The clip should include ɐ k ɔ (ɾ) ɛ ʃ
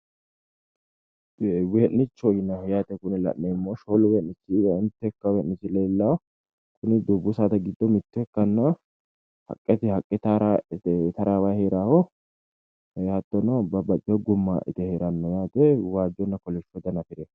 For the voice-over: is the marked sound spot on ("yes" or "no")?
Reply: no